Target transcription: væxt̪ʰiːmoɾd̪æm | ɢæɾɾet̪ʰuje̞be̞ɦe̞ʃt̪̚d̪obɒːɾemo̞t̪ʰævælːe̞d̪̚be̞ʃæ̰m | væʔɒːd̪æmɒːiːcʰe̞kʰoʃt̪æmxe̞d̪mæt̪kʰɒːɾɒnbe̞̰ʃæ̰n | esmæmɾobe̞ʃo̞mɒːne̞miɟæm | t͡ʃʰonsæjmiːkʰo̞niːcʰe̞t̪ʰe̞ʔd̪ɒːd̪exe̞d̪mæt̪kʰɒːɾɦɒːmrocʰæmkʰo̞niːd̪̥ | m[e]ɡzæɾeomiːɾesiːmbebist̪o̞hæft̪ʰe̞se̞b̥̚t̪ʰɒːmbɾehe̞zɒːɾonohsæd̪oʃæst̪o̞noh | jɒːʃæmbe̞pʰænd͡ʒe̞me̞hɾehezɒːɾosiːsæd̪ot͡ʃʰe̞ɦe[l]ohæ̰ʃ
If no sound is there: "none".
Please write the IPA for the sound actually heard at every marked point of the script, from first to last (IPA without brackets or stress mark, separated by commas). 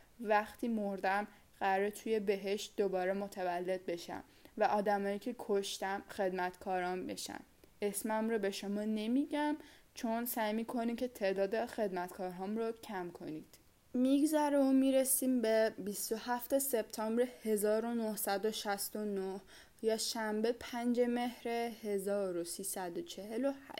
i, l